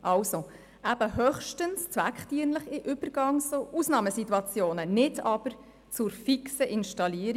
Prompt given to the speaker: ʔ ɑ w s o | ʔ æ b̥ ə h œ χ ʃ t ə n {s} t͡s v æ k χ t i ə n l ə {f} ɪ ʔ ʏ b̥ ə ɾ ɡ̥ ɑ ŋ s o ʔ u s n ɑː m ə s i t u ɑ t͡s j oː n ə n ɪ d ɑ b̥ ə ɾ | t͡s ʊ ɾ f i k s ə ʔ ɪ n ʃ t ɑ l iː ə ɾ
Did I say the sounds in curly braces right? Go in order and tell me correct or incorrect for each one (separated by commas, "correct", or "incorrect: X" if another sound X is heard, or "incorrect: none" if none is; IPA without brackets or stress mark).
correct, incorrect: χ